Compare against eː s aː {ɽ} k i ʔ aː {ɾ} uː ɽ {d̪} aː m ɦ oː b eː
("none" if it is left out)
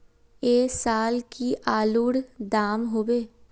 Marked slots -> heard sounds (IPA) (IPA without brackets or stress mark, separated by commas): l, l, d̪